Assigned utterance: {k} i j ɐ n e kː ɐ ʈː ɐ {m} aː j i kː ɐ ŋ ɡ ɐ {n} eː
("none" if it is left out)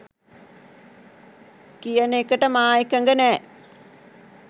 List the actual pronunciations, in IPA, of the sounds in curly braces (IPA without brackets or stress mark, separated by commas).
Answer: k, m, n